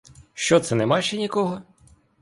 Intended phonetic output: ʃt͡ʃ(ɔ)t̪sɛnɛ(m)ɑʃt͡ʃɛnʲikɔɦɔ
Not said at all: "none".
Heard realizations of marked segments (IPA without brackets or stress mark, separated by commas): ɔ, m